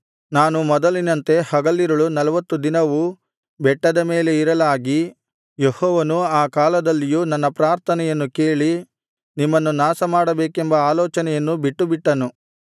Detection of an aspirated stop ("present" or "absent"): present